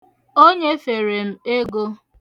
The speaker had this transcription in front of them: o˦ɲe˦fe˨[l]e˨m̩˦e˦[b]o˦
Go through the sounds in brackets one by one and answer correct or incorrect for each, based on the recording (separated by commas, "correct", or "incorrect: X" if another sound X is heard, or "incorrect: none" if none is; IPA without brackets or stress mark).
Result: incorrect: ɾ, incorrect: ɡ